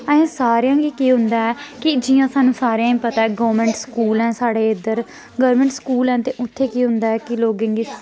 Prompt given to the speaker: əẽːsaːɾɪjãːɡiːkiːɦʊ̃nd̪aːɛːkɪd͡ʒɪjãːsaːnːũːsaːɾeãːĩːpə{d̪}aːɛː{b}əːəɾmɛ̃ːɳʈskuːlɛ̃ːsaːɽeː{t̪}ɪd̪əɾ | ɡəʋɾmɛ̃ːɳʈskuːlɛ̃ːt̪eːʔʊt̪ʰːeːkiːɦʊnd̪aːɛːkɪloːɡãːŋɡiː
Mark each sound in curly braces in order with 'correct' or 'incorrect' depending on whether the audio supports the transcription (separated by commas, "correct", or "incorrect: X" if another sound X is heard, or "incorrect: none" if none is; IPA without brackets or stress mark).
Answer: incorrect: t̪, incorrect: ɡ, incorrect: none